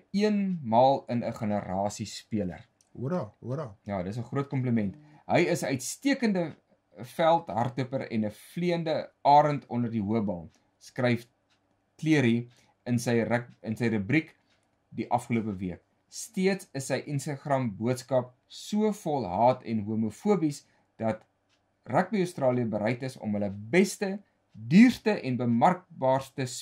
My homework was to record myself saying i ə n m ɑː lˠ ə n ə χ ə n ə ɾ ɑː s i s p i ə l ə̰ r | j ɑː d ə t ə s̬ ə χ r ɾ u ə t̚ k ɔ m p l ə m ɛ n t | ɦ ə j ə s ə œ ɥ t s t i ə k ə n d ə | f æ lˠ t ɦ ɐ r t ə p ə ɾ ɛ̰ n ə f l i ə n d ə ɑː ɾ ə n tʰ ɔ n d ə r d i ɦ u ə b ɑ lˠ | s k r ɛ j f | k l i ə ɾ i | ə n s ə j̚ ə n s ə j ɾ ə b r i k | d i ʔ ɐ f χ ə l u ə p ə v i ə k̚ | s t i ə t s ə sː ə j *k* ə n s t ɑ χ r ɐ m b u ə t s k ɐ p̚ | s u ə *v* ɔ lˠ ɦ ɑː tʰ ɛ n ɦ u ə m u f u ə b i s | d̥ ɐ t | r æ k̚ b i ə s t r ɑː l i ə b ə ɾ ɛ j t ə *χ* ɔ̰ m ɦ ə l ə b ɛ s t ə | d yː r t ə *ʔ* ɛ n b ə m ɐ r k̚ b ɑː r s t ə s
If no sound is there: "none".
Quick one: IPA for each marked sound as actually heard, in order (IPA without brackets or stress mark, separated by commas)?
ʔ, f, s, ʔ